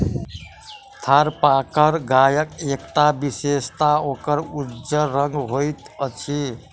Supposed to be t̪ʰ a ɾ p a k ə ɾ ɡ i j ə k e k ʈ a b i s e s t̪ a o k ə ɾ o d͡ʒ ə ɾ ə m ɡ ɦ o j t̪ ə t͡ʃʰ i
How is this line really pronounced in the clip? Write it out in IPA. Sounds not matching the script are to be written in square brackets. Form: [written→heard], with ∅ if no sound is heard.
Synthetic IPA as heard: t̪ʰ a ɾ p a k ə ɾ ɡ [i→a] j ə k e k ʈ a b i s e s t̪ a o k ə ɾ [o→u] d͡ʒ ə ɾ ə [m→ŋ] ɡ ɦ o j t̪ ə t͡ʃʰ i

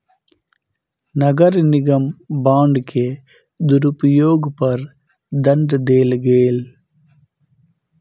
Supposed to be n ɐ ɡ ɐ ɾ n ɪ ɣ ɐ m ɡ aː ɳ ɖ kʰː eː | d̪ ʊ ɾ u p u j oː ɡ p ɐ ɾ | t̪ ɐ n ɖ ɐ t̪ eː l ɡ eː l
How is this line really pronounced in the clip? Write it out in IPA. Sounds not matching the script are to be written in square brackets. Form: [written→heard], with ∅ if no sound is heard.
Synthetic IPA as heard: n ɐ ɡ ɐ ɾ n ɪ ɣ ɐ m [ɡ→b] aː ɳ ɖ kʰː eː | d̪ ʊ ɾ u p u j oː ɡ p ɐ ɾ | [t̪→d̪] ɐ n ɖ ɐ [t̪→d̪] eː l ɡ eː l

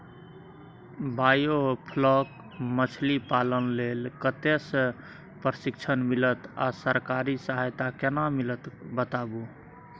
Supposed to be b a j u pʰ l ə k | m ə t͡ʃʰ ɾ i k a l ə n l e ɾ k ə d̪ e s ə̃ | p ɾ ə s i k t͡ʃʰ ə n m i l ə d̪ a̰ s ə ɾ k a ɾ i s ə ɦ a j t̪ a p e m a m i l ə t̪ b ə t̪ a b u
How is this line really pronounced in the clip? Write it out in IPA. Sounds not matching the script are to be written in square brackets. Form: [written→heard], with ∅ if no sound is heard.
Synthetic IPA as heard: b a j [u→o] pʰ l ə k | m ə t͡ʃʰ [ɾ→l] i [k→p] a l ə n l e [ɾ→l] k ə [d̪→t̪] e s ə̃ | p ɾ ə s i k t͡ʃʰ ə n m i l ə [d̪→t̪] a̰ s ə ɾ k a ɾ i s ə ɦ a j t̪ a [p→k] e [m→n] a m i l ə t̪ b ə t̪ a b u

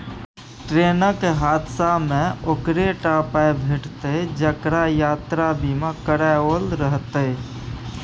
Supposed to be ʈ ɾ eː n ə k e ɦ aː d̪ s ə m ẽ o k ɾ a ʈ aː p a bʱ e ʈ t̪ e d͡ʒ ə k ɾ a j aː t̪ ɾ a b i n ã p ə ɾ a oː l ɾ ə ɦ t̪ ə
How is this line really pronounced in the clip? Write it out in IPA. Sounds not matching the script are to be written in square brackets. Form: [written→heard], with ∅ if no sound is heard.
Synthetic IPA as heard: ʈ ɾ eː n ə k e ɦ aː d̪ s [ə→a] m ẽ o k ɾ [a→e] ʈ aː p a bʱ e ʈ t̪ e d͡ʒ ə k ɾ a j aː t̪ ɾ a b i [n→m] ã [p→k] ə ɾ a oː l ɾ ə ɦ t̪ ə

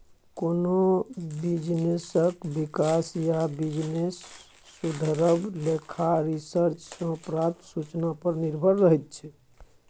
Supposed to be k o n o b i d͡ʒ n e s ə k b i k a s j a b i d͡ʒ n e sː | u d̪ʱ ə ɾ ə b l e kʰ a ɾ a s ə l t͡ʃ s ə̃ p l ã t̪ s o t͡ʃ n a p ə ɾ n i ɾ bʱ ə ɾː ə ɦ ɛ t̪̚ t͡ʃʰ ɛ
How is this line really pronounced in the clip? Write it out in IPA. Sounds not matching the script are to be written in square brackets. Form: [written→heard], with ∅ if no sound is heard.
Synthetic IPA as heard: k o n o b i d͡ʒ n e s ə k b i k a s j a b i d͡ʒ n e sː | u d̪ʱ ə ɾ ə b l e kʰ a ɾ [a→i] s ə [l→ɾ] t͡ʃ s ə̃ p [l→ɾ] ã t̪ s [o→u] t͡ʃ n a p ə ɾ n i ɾ bʱ ə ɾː ə ɦ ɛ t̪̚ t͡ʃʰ ɛ

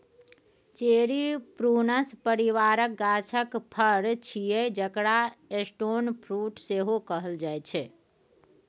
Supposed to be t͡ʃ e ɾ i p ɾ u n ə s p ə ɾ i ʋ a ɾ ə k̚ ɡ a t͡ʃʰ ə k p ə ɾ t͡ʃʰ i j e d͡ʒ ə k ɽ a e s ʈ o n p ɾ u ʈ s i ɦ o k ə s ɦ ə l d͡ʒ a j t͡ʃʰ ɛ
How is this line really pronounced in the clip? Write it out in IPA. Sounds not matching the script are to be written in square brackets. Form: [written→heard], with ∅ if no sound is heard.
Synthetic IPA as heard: t͡ʃ e ɾ i p ɾ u n ə s p ə ɾ i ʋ a ɾ ə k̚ ɡ a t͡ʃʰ ə k [p→pʰ] ə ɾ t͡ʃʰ i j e d͡ʒ ə k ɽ a e s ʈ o n [p→pʰ] ɾ u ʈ s [i→e] ɦ o k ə [s→∅] ɦ ə l d͡ʒ a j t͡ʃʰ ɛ

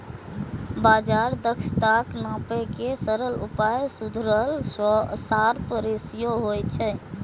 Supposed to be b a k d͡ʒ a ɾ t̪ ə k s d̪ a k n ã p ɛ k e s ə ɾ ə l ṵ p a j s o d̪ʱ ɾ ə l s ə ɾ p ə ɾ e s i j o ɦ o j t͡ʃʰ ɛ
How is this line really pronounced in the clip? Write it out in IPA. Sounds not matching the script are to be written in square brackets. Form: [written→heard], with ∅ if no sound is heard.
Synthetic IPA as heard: b a [k→∅] d͡ʒ a ɾ [t̪→d̪] ə k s [d̪→t̪] a k n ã p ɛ k e s ə ɾ ə l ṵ p a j s [o→u] d̪ʱ ɾ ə l s [ə→a] ɾ p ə ɾ e s i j o ɦ o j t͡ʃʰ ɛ

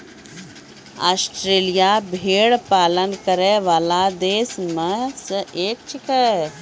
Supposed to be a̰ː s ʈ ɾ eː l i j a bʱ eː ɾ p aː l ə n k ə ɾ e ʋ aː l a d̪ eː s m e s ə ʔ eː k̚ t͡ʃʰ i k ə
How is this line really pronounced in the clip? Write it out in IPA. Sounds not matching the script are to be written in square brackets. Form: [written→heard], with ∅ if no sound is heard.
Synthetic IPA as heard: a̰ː s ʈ ɾ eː l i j a bʱ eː [ɾ→ɽ] p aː l ə n k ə ɾ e ʋ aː l a d̪ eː s m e s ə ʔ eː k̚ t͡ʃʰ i k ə

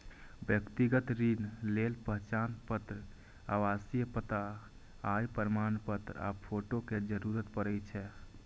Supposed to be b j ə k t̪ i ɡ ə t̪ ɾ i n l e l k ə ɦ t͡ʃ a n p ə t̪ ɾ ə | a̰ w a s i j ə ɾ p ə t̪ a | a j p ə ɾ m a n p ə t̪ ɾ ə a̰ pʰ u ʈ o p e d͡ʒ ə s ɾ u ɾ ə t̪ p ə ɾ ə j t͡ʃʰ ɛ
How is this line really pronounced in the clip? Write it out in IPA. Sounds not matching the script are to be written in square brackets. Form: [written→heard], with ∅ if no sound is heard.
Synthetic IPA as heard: b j ə k t̪ i ɡ ə t̪ ɾ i n l e l [k→p] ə ɦ t͡ʃ a n p ə t̪ ɾ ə | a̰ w a s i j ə [ɾ→∅] p ə t̪ a | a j p ə ɾ m a n p ə t̪ ɾ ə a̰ pʰ [u→o] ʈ o [p→k] e d͡ʒ ə [s→∅] ɾ u ɾ ə t̪ p ə ɾ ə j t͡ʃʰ ɛ

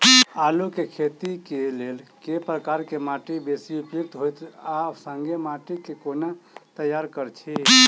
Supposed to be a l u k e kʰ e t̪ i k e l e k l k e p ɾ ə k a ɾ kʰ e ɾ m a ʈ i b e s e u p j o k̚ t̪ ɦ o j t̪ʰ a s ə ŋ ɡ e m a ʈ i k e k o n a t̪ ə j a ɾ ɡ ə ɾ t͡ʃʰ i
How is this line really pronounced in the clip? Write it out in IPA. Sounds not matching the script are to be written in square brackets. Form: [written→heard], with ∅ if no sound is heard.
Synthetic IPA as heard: a l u k e kʰ e t̪ i k e l e [k→∅] l k e p ɾ ə k a ɾ [kʰ→k] e [ɾ→∅] m a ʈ i b e s [e→i] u p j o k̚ t̪ ɦ o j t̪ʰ a s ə ŋ ɡ e m a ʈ i k e k o n a t̪ ə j a ɾ [ɡ→k] ə ɾ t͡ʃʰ i

